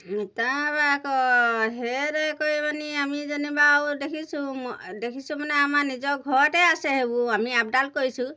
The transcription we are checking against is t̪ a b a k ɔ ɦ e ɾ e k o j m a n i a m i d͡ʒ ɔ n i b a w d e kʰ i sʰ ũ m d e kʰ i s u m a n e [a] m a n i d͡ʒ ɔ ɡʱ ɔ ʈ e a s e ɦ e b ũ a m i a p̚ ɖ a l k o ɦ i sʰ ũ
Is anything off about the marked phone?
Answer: no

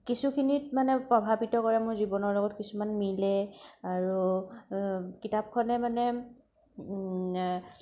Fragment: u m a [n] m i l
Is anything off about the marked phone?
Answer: no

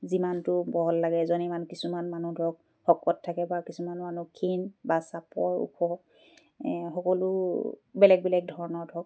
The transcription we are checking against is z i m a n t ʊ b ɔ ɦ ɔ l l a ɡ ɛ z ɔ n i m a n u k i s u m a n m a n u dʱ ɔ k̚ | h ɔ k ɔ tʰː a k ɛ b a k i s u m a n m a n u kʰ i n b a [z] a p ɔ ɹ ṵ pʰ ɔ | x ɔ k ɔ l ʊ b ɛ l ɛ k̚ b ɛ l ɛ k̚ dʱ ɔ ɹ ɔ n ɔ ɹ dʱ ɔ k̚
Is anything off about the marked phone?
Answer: yes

